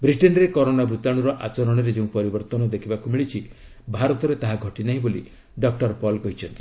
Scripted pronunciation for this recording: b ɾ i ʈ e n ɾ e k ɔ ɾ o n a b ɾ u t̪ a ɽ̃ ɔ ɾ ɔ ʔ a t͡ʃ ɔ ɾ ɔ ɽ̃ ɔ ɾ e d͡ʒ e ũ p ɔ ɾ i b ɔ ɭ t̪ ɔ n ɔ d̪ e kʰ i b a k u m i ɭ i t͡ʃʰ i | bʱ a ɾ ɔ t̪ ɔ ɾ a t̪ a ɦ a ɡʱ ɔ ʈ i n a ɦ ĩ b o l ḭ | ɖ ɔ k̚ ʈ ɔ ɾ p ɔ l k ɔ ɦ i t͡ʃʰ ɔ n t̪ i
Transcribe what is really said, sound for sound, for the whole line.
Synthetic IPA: b ɾ i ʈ e n ɾ e k ɔ ɾ o n a b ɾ u t̪ a ɽ̃ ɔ ɾ ɔ ʔ a t͡ʃ ɔ ɾ ɔ ɽ̃ ɔ ɾ e d͡ʒ e ũ p ɔ ɾ i b ɔ ɾ t̪ ɔ n ɔ d̪ e kʰ i b a k u m i ɭ i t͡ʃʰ i | bʱ a ɾ ɔ t̪ ɔ ɾ e t̪ a ɦ a ɡʱ ɔ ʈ i n a ɦ ĩ b o l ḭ | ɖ ɔ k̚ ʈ ɔ ɾ p ɔ l k ɔ ɦ i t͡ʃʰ ɔ n t̪ i